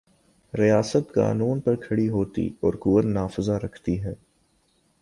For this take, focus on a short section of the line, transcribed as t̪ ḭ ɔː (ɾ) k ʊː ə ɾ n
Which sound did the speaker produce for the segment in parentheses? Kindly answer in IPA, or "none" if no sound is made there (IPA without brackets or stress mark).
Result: ɾ